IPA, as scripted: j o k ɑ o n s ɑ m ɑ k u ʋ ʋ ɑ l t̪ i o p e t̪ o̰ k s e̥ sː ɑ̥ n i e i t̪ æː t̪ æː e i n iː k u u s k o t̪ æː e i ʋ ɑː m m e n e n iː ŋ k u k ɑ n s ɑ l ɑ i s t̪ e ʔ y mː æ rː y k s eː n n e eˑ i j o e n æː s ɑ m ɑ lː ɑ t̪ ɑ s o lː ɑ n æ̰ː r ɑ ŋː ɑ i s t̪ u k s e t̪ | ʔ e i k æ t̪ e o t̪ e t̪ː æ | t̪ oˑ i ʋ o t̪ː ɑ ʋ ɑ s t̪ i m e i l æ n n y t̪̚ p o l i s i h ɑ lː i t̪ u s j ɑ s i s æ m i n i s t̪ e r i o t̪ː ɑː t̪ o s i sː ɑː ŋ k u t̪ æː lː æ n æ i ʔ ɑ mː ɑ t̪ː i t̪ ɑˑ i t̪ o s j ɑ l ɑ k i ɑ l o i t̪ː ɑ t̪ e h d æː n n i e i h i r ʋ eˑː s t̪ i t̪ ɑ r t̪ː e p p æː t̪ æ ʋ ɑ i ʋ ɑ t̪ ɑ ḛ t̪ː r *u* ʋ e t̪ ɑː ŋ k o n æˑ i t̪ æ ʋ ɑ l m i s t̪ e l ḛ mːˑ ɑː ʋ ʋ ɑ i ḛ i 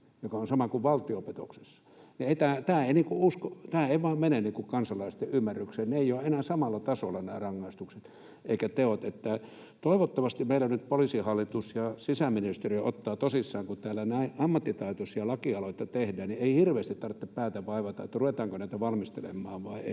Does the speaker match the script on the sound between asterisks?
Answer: yes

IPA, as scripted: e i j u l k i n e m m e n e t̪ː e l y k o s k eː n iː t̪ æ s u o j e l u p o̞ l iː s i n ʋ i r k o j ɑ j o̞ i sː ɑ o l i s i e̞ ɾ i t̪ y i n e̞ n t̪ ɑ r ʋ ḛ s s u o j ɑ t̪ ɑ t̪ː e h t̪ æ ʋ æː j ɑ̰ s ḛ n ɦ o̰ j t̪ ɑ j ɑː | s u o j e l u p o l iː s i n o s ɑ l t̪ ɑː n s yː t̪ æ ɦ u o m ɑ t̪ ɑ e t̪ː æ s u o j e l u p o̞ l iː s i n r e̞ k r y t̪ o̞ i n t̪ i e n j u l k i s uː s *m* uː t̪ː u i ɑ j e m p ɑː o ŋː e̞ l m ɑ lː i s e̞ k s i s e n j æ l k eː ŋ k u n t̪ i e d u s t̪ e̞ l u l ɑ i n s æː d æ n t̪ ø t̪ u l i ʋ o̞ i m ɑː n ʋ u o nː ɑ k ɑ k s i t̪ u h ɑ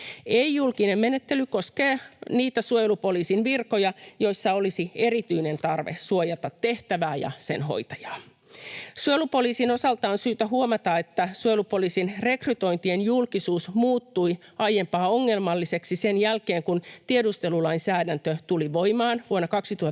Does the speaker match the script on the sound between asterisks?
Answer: yes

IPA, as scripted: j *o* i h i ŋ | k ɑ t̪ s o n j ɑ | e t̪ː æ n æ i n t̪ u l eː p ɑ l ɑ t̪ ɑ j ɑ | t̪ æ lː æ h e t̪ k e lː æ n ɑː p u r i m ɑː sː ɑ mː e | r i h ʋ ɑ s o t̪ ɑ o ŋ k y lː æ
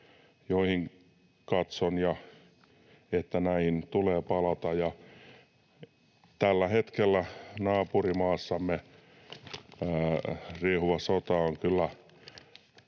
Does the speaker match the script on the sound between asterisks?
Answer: yes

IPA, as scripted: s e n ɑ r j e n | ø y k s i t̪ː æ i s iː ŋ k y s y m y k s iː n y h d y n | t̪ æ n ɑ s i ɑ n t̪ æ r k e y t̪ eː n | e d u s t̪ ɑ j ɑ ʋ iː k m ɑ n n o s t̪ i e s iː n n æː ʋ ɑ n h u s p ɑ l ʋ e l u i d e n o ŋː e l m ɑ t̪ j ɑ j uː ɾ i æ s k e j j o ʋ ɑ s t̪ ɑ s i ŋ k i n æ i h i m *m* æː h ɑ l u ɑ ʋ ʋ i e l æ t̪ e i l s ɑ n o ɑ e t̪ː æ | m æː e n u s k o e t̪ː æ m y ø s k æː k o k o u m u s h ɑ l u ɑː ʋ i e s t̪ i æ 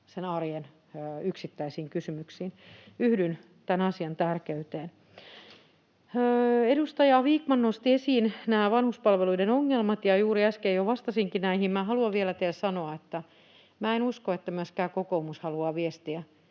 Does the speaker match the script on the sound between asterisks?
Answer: yes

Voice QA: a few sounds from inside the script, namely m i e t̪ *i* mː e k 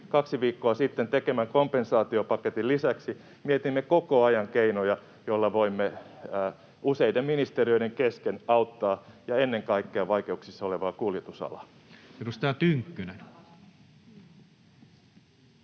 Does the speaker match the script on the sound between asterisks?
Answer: yes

